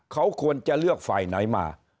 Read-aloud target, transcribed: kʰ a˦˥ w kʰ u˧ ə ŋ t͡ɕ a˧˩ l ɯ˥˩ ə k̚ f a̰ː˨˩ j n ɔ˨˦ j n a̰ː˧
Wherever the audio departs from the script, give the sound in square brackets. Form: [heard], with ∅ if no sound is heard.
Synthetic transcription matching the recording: kʰ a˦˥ w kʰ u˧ ə [n] t͡ɕ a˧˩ l ɯ˥˩ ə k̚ f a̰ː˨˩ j n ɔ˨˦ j [m] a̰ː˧